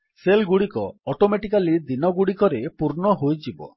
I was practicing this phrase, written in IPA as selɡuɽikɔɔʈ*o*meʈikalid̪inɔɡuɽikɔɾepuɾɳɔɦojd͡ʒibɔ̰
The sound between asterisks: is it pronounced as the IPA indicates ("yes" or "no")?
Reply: yes